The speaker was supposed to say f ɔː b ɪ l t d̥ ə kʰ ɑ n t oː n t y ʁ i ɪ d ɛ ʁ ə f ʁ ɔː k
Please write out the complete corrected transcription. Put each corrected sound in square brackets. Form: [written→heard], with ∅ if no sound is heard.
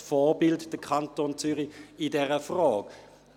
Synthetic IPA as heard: f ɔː b ɪ l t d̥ ə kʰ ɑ n t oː n [t→t͡s] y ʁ i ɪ d ɛ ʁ ə f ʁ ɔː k